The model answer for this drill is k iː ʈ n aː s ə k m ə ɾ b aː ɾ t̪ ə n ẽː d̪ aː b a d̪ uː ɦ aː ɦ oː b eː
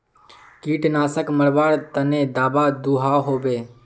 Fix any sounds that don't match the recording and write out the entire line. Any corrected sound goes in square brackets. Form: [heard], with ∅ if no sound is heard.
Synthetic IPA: k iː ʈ n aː s ə k m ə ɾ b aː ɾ t̪ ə n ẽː d̪ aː b a d̪ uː ɦ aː ɦ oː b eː